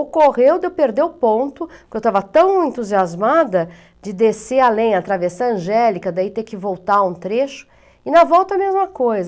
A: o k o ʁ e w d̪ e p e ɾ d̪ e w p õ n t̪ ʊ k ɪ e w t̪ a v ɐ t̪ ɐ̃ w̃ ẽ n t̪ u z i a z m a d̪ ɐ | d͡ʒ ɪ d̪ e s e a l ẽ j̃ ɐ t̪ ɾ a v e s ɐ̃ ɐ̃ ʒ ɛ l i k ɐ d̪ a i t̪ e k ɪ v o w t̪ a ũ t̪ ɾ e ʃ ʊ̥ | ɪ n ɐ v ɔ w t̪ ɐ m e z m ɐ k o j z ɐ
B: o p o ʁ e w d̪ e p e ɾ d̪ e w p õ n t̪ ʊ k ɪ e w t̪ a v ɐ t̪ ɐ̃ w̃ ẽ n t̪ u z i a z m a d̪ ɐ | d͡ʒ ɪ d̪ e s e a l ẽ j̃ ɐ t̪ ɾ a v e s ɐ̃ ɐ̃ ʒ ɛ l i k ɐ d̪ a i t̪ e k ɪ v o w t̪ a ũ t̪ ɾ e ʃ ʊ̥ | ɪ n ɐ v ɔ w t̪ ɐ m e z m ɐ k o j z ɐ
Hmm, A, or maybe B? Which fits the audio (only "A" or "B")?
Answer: A